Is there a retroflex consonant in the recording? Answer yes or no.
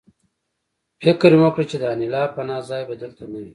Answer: yes